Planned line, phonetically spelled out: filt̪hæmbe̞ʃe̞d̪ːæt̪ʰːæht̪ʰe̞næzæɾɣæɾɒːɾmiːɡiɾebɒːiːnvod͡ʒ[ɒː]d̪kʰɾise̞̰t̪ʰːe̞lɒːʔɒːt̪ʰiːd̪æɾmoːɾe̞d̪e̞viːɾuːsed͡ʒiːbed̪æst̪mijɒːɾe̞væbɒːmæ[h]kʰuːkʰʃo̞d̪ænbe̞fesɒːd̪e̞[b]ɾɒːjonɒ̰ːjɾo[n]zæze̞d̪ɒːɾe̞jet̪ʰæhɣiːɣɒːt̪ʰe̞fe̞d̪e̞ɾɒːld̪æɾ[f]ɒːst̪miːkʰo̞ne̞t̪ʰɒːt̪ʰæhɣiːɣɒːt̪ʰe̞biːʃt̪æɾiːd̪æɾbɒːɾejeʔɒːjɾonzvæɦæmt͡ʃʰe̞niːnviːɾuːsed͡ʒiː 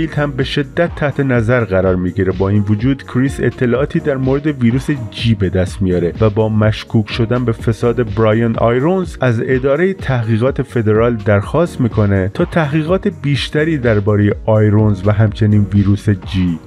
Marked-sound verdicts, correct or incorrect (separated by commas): incorrect, incorrect, correct, correct, incorrect